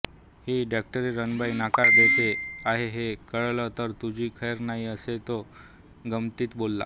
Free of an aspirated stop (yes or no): no